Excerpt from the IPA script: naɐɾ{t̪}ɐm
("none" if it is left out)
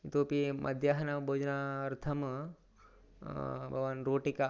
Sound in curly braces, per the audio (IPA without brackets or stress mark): t̪ʰ